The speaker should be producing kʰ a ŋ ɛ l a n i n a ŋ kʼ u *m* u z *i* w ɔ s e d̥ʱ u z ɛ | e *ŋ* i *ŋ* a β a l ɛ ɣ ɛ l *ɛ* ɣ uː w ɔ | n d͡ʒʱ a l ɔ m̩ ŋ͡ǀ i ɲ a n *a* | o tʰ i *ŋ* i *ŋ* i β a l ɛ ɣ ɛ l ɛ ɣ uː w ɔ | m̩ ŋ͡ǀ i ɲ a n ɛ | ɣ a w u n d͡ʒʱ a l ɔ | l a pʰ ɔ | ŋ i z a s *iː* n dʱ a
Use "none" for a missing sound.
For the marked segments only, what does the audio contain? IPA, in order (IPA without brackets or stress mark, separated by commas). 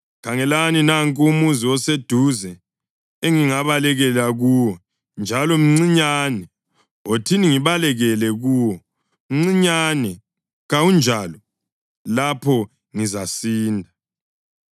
m, i, ŋ, ŋ, a, ɛ, n, ŋ, iː